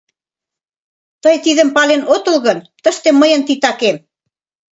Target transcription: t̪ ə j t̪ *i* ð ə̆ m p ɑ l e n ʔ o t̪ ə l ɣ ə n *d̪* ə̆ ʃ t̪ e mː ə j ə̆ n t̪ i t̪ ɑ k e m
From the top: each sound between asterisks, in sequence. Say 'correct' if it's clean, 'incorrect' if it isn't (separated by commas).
correct, incorrect